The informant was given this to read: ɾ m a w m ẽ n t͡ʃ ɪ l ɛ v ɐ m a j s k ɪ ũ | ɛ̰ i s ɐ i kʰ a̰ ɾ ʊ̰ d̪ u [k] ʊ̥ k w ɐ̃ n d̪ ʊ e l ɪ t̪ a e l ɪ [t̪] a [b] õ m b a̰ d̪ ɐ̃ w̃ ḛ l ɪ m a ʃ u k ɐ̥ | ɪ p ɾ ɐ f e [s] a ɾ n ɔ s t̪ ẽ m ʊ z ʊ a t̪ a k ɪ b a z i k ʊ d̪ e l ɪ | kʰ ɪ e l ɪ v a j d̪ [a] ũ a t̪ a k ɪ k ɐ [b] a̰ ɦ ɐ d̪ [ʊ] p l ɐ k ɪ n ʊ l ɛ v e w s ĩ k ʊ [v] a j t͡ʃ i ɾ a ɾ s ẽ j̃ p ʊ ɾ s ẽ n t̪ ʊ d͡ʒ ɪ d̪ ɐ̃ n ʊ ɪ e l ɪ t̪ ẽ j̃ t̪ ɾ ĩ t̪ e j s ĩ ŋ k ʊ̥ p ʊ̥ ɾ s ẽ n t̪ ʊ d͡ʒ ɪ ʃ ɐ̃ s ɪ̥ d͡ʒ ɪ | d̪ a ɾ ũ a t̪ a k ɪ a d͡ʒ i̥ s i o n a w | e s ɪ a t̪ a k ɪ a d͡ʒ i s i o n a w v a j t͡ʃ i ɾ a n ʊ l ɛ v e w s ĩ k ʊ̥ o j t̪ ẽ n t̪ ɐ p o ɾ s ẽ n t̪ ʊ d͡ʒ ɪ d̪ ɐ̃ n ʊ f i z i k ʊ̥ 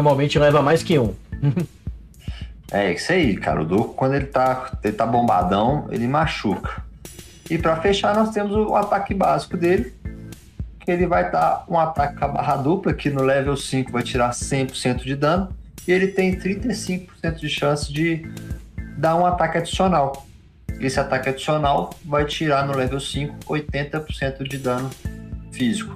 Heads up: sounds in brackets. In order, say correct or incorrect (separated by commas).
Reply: correct, correct, correct, incorrect, correct, correct, incorrect, correct